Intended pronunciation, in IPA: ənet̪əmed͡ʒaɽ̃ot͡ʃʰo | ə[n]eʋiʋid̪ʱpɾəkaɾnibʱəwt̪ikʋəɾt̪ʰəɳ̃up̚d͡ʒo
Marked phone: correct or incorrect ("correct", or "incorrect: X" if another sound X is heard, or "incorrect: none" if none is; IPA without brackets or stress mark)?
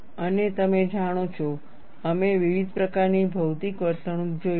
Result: incorrect: m